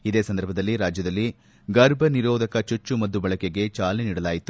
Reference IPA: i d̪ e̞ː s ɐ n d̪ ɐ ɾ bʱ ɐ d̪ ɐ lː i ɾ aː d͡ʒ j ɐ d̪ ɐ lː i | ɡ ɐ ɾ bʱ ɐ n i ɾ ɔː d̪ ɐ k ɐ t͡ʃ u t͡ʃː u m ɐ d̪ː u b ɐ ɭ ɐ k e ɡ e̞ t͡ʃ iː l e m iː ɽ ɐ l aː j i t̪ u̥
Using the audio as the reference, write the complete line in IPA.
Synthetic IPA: i d̪ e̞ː s ɐ n d̪ ɐ ɾ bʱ ɐ d̪ ɐ lː i ɾ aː d͡ʒ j ɐ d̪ ɐ lː i | ɡ ɐ ɾ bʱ ɐ n i ɾ ɔː d̪ ɐ k ɐ t͡ʃ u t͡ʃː u m ɐ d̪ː u b ɐ ɭ ɐ k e ɡ e̞ t͡ʃ aː l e n iː ɽ ɐ l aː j i t̪ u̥